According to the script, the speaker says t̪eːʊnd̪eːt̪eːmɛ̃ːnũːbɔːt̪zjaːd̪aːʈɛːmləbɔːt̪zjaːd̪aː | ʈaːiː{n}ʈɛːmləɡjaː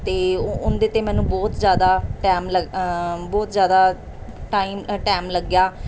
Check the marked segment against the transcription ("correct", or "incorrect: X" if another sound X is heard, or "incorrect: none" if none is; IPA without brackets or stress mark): incorrect: m